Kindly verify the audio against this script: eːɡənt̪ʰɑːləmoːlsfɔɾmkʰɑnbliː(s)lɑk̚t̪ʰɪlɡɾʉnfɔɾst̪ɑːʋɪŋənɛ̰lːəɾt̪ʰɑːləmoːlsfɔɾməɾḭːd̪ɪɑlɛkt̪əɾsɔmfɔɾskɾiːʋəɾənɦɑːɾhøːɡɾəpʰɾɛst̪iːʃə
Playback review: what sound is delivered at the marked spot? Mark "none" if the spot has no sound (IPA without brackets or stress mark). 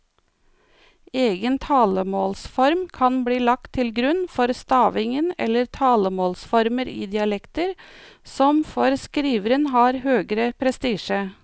none